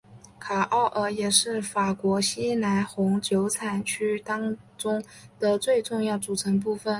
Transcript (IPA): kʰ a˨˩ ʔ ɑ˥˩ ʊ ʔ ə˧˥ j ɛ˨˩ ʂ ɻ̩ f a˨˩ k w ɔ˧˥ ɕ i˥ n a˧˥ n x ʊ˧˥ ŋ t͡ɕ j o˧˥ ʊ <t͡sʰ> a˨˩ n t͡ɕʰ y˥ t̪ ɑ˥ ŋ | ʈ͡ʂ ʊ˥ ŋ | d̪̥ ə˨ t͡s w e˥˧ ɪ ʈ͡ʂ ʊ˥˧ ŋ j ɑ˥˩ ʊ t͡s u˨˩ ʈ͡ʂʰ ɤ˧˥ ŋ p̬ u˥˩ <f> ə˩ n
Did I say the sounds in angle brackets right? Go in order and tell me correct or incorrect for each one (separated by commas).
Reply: correct, correct